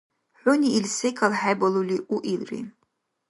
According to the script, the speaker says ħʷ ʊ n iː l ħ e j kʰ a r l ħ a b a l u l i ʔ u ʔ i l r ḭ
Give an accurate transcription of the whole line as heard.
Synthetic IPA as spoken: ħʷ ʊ n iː l s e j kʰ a l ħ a b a l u l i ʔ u ʔ i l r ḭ